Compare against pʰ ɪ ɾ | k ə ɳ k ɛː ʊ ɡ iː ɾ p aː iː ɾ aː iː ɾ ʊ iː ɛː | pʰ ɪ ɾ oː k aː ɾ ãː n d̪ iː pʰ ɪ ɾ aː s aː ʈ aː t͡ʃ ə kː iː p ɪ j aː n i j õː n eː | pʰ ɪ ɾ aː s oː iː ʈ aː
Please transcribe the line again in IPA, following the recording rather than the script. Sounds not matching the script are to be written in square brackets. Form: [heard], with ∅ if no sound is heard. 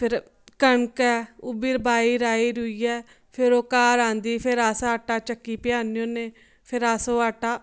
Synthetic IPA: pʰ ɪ ɾ | k ə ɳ k ɛː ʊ [b] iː ɾ [b] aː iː ɾ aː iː ɾ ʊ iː ɛː | pʰ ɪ ɾ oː k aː ɾ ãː n d̪ iː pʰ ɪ ɾ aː s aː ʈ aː t͡ʃ ə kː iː p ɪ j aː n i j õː n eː | pʰ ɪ ɾ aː s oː [aː] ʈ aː